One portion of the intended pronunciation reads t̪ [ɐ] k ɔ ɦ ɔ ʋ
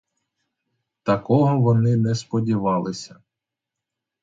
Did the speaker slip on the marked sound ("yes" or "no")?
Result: no